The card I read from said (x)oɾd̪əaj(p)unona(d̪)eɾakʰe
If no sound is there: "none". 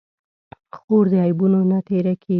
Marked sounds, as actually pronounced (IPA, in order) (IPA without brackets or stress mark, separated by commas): x, b, t̪